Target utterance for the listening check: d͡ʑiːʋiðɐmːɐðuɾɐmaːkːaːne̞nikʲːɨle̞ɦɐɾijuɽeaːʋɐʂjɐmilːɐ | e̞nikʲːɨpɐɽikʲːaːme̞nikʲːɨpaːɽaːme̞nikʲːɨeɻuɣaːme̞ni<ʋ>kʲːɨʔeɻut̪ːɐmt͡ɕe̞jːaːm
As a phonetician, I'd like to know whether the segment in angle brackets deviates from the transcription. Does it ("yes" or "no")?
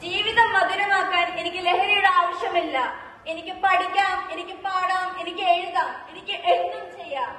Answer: yes